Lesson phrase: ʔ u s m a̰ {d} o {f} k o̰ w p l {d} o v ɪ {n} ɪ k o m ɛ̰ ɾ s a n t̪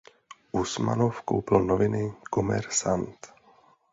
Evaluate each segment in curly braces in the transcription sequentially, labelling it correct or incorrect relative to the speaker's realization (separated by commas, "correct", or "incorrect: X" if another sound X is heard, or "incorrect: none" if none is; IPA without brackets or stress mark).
incorrect: n, correct, incorrect: n, correct